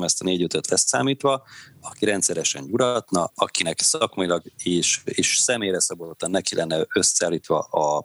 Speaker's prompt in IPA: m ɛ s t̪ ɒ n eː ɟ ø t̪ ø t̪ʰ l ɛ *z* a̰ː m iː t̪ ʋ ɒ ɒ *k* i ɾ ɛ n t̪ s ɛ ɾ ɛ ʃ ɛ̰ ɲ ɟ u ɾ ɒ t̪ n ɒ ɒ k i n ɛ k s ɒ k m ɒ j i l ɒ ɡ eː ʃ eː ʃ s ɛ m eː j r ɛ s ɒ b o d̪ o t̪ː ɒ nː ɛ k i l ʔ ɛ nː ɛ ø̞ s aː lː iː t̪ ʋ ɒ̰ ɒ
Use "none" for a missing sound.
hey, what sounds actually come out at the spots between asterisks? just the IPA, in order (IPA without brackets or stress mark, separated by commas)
s, k